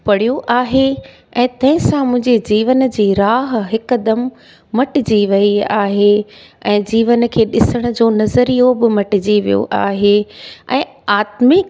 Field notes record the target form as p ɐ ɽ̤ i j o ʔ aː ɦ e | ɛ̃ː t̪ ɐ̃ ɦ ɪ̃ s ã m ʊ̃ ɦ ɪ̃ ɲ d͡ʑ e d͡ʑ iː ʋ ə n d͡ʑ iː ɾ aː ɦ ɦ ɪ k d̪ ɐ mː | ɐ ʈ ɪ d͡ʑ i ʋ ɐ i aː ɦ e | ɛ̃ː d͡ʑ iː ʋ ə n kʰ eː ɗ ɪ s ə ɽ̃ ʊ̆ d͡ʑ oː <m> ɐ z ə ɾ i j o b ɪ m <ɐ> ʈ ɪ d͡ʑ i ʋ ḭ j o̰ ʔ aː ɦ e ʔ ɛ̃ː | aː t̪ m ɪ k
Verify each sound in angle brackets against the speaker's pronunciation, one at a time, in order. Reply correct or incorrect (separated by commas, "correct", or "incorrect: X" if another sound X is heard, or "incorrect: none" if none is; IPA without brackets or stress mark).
incorrect: n, correct